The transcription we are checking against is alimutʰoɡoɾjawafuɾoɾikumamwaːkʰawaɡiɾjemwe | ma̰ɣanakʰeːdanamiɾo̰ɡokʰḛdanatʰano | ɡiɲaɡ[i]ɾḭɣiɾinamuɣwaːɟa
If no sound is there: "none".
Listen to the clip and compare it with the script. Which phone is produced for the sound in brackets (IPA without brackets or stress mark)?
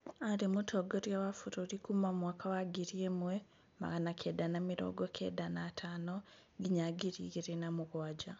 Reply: i